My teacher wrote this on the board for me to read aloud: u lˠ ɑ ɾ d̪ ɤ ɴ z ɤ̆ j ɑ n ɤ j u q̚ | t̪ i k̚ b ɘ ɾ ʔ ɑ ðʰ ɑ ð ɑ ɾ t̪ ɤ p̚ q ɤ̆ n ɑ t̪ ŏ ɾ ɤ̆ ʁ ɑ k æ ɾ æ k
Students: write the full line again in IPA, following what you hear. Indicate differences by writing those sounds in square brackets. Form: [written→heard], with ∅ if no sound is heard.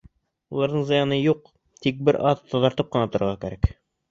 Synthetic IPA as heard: u lˠ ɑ ɾ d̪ ɤ ɴ z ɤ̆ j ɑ n ɤ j u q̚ | t̪ i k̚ b ɘ ɾ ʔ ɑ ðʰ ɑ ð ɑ ɾ t̪ ɤ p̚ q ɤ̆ n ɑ t̪ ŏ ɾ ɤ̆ ʁ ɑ k æ ɾ æ k